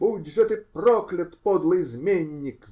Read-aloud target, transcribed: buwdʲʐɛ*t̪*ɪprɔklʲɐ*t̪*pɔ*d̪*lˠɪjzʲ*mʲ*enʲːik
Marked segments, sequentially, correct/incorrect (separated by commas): correct, correct, correct, correct